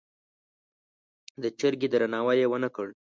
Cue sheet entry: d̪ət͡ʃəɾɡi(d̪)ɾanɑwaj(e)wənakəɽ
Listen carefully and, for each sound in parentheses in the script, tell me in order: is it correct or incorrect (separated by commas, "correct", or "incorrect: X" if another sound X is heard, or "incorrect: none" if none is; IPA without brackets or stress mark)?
correct, correct